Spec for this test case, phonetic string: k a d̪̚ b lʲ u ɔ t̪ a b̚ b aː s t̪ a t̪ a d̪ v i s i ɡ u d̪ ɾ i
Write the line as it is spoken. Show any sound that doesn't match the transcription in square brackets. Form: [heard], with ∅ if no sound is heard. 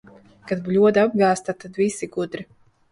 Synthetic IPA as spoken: k a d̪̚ b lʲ u ɔ [d̪] a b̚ [ɡ] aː s t̪ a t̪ a d̪ v i s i ɡ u d̪ ɾ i